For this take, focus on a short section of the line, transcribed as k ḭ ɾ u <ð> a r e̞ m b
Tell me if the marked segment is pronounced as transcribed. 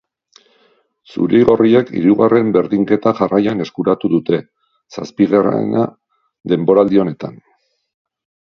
no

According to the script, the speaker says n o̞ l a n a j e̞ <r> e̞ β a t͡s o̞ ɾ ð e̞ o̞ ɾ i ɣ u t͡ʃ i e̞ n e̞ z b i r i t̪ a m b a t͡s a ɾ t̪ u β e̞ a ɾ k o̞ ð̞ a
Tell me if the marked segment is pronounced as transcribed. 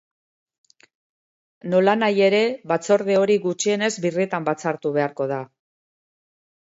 no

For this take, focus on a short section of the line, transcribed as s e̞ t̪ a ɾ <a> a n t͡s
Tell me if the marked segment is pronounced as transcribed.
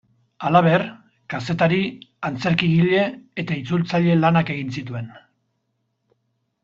no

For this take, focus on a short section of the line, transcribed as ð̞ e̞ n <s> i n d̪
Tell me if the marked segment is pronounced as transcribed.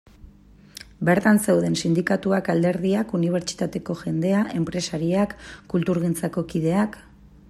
yes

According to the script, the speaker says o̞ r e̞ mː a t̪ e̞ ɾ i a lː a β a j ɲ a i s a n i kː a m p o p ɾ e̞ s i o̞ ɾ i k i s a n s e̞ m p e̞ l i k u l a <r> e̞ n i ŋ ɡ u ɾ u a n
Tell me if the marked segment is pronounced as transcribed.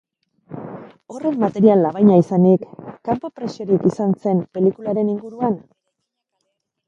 no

